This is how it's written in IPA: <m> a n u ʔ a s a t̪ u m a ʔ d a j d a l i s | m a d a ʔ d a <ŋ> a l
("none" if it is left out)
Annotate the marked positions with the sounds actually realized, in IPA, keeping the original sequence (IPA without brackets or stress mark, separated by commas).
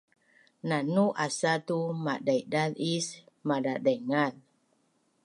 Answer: n, ŋ